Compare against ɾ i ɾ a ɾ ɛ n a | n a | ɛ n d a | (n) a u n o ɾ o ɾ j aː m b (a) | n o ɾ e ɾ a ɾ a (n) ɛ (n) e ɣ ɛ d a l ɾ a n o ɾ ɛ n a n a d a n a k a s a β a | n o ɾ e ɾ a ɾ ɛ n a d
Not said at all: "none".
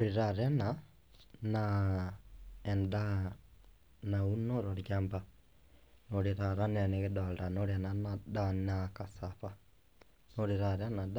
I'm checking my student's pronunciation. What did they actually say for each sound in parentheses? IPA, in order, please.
n, a, n, n

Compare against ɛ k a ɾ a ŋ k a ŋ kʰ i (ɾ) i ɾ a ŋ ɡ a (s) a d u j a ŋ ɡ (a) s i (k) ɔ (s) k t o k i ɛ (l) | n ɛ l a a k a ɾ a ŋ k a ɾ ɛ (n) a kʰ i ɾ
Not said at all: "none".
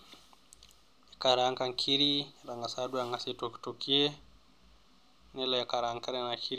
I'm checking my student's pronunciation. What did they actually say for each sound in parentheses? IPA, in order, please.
ɾ, s, a, t, none, none, n

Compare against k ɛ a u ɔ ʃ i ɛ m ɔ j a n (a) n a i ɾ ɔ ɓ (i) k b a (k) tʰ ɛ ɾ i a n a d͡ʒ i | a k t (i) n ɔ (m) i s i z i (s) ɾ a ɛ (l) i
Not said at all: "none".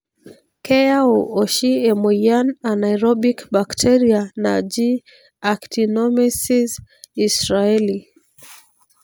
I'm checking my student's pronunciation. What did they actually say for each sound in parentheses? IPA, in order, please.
a, i, k, i, m, s, l

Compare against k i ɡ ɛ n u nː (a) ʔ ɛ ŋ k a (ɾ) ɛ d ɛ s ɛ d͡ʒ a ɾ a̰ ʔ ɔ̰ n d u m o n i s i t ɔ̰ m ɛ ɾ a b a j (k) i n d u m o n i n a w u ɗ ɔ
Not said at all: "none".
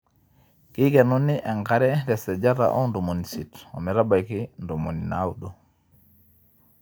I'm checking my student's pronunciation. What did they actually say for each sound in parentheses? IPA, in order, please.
i, ɾ, k

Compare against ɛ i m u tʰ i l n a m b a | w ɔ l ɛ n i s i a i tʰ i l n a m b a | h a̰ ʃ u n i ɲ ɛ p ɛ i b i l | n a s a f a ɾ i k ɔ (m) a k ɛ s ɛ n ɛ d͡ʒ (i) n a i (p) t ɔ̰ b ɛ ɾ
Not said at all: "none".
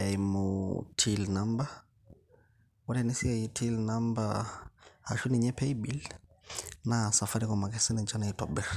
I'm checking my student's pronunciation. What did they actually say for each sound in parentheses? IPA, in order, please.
m, a, none

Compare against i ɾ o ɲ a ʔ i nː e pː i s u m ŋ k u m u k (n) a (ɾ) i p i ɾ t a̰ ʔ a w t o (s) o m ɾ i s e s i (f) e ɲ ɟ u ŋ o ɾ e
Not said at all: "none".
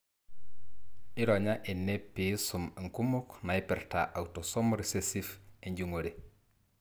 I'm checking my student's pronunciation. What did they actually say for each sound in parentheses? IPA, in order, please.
n, none, s, f

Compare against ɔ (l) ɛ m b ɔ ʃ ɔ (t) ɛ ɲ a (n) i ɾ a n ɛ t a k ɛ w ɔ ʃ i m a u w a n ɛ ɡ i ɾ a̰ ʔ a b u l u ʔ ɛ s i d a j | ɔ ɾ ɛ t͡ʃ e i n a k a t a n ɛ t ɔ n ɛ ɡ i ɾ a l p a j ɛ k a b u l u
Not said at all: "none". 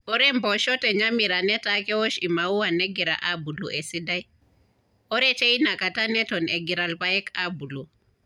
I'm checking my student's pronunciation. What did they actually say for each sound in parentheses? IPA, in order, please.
ɾ, t, m

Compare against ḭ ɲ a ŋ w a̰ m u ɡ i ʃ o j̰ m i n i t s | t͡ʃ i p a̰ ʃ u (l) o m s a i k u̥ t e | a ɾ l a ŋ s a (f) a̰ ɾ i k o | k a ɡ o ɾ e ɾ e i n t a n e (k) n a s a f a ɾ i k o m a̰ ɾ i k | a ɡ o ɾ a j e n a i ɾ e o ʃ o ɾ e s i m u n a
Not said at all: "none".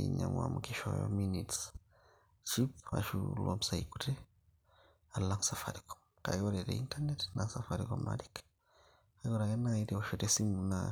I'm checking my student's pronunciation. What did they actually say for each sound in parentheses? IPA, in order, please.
l, f, t

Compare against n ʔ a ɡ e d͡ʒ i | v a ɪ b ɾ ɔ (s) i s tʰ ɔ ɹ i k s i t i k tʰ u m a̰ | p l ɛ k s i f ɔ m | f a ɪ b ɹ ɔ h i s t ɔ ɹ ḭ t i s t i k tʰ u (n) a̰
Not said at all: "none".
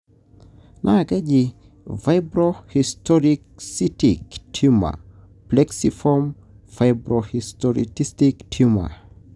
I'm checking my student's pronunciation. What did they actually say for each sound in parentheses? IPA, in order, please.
h, m

